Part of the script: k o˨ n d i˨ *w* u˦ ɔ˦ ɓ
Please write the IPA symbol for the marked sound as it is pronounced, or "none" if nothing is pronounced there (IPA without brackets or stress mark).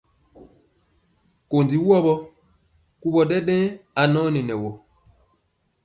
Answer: w